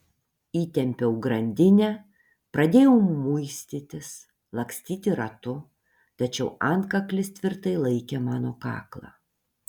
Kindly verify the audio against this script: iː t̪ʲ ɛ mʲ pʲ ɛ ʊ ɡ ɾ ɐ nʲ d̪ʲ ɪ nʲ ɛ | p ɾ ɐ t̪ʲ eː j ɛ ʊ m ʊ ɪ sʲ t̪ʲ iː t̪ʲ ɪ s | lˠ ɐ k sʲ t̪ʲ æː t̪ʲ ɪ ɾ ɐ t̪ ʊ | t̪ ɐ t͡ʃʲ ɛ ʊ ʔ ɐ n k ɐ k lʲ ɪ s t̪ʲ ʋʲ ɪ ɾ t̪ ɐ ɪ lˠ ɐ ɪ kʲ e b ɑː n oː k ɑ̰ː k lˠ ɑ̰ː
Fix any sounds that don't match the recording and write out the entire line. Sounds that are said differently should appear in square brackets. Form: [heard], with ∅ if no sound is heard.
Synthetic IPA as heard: iː t̪ʲ ɛ mʲ pʲ ɛ ʊ ɡ ɾ ɐ nʲ d̪ʲ ɪ nʲ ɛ | p ɾ ɐ [d̪ʲ] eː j ɛ ʊ m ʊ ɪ sʲ t̪ʲ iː t̪ʲ ɪ s | lˠ ɐ k sʲ t̪ʲ [iː] t̪ʲ ɪ ɾ ɐ t̪ ʊ | t̪ ɐ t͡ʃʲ ɛ ʊ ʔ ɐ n k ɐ k lʲ ɪ s t̪ʲ ʋʲ ɪ ɾ t̪ ɐ ɪ lˠ ɐ ɪ kʲ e [m] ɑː n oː k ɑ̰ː k lˠ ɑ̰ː